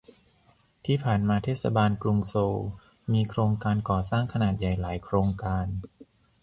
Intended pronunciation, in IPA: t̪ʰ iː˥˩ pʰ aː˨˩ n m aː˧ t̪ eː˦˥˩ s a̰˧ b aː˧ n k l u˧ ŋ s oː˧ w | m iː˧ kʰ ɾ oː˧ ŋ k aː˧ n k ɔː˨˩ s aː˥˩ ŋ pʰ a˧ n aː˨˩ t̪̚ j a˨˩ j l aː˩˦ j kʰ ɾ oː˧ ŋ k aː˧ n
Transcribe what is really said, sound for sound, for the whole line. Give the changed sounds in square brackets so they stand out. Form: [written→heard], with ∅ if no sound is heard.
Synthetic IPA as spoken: t̪ʰ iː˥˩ pʰ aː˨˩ n m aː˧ [t̪→t̪ʰ] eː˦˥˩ s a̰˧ b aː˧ n k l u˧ ŋ s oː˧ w | m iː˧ kʰ ɾ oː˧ ŋ k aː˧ n k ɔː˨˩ s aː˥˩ ŋ [pʰ→kʰ] a˧ n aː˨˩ t̪̚ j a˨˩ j l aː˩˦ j kʰ ɾ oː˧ ŋ k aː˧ n